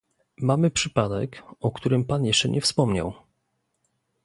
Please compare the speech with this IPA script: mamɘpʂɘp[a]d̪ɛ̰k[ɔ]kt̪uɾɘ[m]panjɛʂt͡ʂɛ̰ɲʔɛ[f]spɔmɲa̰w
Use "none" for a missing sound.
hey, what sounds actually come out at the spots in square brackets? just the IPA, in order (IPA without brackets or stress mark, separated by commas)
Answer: a, ɔ, m, f